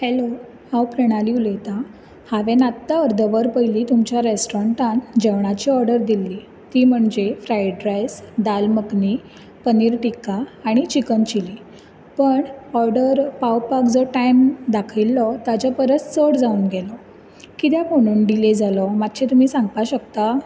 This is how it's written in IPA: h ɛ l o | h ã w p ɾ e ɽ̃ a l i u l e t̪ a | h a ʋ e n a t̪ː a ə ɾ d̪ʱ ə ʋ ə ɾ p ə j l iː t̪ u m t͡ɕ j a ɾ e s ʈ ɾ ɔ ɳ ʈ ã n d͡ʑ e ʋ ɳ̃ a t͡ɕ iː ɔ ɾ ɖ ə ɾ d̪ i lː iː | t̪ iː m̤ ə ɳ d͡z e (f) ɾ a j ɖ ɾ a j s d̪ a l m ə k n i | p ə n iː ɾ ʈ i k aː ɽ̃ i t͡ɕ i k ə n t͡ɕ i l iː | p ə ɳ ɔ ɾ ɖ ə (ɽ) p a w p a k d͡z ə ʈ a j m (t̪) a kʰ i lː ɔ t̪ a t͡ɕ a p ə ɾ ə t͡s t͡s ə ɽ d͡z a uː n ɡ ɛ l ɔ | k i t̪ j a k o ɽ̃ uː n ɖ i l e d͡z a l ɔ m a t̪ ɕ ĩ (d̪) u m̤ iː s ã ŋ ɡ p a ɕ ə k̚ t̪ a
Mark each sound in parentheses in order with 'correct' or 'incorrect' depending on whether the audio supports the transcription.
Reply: correct, incorrect, incorrect, incorrect

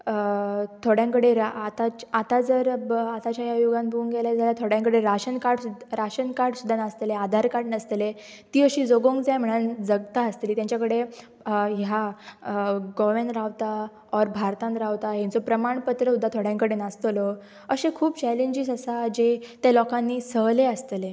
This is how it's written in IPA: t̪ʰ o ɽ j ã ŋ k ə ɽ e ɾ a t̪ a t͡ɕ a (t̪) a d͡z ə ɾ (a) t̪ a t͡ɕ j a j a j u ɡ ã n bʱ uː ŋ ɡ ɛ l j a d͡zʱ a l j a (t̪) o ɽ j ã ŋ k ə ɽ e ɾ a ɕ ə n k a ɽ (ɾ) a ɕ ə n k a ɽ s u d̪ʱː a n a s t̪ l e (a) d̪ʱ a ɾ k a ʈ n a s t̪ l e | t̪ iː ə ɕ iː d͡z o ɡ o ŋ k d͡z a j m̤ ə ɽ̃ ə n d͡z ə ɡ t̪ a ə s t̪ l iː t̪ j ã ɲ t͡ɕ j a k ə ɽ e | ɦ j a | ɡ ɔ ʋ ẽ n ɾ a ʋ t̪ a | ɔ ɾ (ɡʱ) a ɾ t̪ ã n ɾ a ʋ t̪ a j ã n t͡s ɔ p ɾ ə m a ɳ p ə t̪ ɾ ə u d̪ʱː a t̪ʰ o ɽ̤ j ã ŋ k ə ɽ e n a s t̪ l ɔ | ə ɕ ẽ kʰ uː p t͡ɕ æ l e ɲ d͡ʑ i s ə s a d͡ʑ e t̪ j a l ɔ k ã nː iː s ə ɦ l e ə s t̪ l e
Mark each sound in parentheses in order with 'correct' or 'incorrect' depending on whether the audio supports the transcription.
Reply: correct, correct, incorrect, correct, correct, incorrect

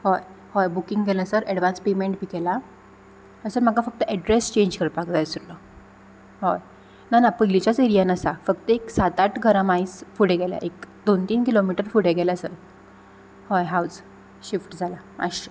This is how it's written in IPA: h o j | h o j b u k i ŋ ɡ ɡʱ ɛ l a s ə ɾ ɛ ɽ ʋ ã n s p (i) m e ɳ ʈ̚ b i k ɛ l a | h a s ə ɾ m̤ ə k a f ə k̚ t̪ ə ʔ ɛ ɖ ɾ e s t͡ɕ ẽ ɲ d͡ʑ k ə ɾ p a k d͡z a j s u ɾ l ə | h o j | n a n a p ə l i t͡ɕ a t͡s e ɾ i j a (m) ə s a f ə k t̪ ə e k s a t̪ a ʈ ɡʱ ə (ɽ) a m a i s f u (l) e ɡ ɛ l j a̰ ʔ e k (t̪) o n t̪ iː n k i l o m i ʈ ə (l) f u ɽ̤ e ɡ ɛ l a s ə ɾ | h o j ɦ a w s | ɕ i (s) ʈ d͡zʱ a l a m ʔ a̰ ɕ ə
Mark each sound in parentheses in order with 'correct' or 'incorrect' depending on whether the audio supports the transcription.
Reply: incorrect, incorrect, incorrect, incorrect, incorrect, incorrect, incorrect

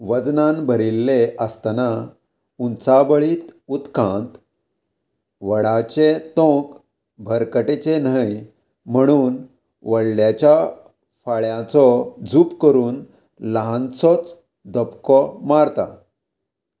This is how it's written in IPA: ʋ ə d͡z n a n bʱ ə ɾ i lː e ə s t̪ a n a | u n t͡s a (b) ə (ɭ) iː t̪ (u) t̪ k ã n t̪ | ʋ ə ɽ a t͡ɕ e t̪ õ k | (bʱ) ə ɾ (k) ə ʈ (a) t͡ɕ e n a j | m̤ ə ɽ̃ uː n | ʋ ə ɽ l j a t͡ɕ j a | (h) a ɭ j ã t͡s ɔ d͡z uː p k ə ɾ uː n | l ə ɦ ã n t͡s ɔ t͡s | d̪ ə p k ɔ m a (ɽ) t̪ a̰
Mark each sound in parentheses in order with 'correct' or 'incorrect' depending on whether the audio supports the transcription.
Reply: correct, correct, correct, correct, correct, incorrect, incorrect, incorrect

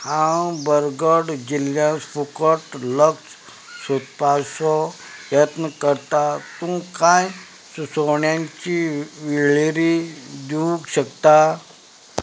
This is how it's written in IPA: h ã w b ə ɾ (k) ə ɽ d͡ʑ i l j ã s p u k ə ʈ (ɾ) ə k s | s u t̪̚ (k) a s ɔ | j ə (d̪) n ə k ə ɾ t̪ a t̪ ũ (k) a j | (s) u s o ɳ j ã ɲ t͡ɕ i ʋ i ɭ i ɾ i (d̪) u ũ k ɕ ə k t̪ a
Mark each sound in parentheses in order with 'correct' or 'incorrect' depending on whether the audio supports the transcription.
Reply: incorrect, incorrect, incorrect, incorrect, correct, correct, correct

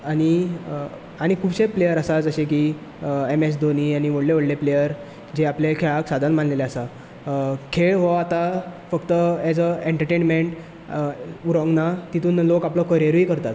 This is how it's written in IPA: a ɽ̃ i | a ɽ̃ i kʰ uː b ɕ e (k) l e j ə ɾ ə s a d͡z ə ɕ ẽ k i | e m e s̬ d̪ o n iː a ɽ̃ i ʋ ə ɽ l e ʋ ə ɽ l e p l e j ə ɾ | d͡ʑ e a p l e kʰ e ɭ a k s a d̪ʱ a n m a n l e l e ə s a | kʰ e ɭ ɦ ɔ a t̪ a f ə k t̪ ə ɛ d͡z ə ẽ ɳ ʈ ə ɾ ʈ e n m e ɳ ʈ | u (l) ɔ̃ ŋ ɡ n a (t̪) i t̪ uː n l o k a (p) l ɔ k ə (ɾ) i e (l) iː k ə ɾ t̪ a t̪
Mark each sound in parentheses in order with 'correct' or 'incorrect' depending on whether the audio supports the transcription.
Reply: incorrect, incorrect, correct, correct, correct, incorrect

